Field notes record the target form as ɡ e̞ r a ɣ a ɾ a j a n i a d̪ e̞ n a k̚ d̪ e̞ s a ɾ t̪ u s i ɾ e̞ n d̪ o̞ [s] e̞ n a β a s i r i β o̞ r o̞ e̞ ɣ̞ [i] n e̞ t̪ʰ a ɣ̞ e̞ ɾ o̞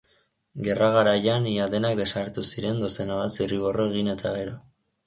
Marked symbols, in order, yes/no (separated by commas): yes, yes